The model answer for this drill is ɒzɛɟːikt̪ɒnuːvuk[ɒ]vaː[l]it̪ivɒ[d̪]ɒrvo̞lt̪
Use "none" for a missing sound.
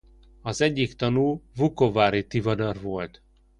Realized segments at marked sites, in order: o, ɾ, d̪

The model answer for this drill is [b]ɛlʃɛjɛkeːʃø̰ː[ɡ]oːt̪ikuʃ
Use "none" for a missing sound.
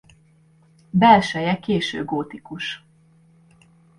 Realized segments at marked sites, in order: b, ɡ

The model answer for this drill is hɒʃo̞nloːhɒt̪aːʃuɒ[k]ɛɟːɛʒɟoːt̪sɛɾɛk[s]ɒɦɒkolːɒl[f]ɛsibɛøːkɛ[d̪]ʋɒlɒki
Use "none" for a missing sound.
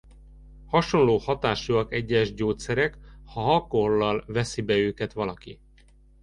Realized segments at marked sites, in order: k, h, v, t̪

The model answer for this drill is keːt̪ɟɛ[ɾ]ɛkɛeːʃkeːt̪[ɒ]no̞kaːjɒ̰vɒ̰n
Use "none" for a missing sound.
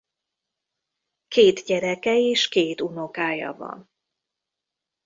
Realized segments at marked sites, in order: ɾ, u

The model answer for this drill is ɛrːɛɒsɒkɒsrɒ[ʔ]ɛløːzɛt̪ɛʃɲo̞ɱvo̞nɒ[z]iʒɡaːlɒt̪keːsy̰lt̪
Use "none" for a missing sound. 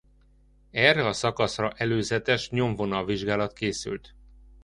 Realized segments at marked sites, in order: ʔ, v

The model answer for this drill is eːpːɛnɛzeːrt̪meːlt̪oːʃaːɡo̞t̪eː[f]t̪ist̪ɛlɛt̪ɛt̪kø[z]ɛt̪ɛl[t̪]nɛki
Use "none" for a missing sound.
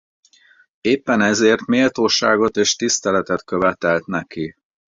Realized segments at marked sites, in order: ʃ, v, t̪

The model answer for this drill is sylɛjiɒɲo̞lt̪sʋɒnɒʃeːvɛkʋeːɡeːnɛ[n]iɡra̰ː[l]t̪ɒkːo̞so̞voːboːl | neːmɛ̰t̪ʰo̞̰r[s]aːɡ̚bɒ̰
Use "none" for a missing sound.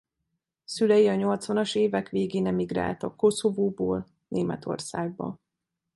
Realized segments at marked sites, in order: m, l, s

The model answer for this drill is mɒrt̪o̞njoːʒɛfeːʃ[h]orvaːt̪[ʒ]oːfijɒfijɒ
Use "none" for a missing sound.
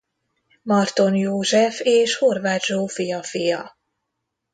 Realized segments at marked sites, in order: h, ʒ

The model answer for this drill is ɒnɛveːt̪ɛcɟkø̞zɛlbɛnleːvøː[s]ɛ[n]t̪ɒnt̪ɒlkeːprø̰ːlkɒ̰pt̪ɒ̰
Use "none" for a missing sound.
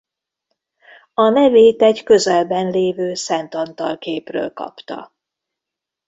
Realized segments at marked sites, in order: s, n

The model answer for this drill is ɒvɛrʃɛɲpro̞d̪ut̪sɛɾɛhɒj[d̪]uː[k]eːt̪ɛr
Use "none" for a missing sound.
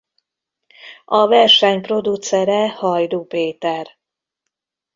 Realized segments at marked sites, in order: d̪, p

